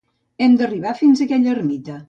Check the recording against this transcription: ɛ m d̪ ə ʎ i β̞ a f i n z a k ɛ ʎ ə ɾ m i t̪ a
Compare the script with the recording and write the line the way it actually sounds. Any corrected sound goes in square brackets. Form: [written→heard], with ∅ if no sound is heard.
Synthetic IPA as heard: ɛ m d̪ ə [ʎ→r] i β̞ a f i n z [a→ə] k ɛ ʎ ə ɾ m i t̪ [a→ə]

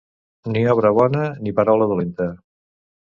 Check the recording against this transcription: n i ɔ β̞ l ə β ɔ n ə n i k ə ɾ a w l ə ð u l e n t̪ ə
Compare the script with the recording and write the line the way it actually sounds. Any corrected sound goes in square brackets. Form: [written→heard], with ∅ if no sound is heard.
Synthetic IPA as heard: n i ɔ β̞ [l→ɾ] ə β ɔ n ə n i [k→p] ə ɾ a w l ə ð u l e n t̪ ə

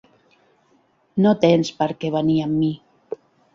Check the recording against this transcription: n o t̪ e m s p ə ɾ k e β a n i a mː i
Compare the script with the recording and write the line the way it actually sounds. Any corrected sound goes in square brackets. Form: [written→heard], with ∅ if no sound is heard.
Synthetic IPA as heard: n o t̪ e [m→n] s p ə ɾ k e β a n i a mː i

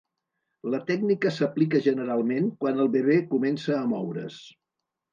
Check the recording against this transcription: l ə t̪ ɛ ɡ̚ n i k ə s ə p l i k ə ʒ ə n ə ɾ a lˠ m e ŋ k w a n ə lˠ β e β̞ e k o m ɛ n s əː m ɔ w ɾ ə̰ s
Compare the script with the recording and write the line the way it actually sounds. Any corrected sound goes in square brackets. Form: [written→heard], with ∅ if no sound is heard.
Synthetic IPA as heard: l ə t̪ ɛ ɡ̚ n i k ə s ə p l i k ə ʒ ə n ə ɾ a lˠ m e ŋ k w a n ə lˠ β e β̞ e k [o→u] m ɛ n s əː m ɔ w ɾ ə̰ s

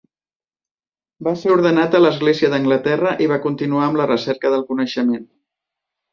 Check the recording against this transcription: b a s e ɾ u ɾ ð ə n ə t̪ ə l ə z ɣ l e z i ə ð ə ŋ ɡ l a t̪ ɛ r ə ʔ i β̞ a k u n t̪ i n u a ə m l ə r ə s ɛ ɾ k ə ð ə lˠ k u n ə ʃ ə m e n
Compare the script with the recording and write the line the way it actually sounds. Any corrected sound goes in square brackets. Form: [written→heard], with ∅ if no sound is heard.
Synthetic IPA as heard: b a s e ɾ u ɾ ð ə n [ə→a] t̪ ə l ə z ɣ l e z i ə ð ə ŋ ɡ l [a→ə] t̪ ɛ r ə ʔ i β̞ a k u n t̪ i n u a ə m l ə r ə s ɛ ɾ k ə ð ə lˠ k u n ə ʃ ə m e n

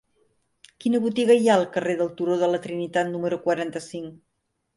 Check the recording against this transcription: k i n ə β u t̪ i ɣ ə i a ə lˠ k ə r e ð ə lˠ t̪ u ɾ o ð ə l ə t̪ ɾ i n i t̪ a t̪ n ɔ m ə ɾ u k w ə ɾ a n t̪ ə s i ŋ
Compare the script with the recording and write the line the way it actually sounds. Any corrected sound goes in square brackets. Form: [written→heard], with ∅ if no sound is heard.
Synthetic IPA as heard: k i n ə β u t̪ i ɣ ə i a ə lˠ k ə r e ð ə lˠ t̪ u ɾ o ð ə l ə t̪ ɾ i n i t̪ a t̪ n [ɔ→u] m ə ɾ u k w ə ɾ a n t̪ ə s i ŋ

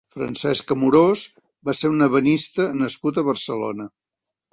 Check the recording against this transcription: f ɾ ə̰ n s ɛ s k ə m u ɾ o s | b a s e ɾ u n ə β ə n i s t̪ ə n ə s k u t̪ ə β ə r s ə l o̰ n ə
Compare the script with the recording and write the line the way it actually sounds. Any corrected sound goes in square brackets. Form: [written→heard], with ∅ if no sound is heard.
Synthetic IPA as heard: f ɾ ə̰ n s ɛ s k ə m u ɾ o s | b a s e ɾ u n ə β ə n i s t̪ ə n ə s k u t̪ ə β ə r s ə l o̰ n ə

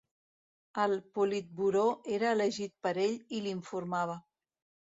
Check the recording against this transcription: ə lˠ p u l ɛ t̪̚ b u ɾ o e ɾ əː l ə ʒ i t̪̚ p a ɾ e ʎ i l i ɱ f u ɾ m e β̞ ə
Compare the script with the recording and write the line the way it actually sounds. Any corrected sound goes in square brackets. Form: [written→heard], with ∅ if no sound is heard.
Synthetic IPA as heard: ə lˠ p u l [ɛ→i] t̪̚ b u ɾ o e ɾ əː l ə ʒ i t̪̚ p [a→ə] ɾ e ʎ i l i ɱ f u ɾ m [e→a] β̞ ə

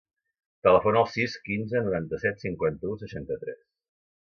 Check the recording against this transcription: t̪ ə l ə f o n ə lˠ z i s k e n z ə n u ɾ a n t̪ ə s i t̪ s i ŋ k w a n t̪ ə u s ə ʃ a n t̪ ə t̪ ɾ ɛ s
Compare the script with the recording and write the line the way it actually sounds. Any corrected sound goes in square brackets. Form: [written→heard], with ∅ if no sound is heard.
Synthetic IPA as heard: t̪ ə l ə f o n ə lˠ [z→s] i s k [e→i] n z ə n u ɾ a n t̪ ə s [i→ɛ] t̪ s i ŋ k w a n t̪ ə u s ə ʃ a n t̪ ə t̪ ɾ ɛ s

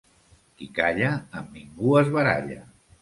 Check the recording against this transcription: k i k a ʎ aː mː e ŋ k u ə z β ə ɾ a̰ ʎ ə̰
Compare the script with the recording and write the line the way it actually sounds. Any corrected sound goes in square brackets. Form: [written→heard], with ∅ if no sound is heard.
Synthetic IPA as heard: k i k a ʎ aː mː [e→i] ŋ [k→ɡ] u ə z β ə ɾ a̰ ʎ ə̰

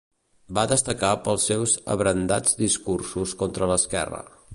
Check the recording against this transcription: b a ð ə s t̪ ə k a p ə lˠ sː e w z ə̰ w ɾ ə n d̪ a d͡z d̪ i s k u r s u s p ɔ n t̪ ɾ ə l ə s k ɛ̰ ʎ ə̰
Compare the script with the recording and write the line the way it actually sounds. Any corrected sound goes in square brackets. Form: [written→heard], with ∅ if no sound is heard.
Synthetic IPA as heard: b a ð ə s t̪ ə k a p ə lˠ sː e w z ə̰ [w→β] ɾ ə n d̪ a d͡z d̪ i s k u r s u s [p→k] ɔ n t̪ ɾ ə l ə s k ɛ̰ [ʎ→r] ə̰

